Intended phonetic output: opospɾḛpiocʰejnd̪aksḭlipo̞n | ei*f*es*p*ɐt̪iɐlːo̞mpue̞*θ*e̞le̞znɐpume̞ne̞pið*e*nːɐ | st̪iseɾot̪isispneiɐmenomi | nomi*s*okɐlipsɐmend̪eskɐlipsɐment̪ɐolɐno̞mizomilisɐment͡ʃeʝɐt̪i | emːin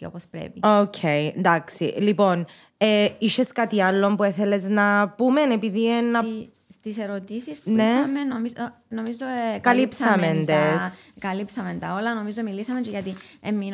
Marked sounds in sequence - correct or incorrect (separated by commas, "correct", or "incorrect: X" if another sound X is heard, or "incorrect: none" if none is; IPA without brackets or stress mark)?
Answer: incorrect: ʃ, incorrect: k, correct, incorrect: i, incorrect: z